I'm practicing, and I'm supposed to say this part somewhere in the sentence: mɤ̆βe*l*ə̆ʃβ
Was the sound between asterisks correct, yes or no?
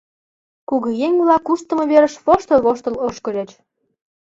no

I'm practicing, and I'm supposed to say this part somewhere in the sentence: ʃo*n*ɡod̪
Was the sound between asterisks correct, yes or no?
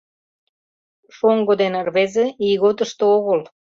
no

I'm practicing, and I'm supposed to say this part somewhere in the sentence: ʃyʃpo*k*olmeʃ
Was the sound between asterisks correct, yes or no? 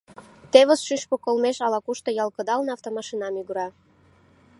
yes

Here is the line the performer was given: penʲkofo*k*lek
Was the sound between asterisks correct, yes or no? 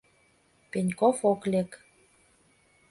yes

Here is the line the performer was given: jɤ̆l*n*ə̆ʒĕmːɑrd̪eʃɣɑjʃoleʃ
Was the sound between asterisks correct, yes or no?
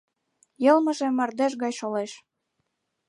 no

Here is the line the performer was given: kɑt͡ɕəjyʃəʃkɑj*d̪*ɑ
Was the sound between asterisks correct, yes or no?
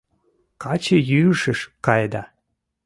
yes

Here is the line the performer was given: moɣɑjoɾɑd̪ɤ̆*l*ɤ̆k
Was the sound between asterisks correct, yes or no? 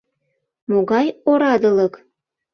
yes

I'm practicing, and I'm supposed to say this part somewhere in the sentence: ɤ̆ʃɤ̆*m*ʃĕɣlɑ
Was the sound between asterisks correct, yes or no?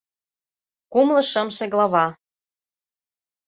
yes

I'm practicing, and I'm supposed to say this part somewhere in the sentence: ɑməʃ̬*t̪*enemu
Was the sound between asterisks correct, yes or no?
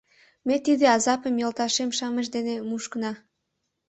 no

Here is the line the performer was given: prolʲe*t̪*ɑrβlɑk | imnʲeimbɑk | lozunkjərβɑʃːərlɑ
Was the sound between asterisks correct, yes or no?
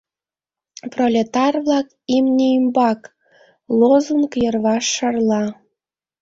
yes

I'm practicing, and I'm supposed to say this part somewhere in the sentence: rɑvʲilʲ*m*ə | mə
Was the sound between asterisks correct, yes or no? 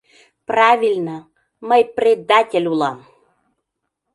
no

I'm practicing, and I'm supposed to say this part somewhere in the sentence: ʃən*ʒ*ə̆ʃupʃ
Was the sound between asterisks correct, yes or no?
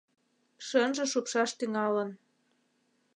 yes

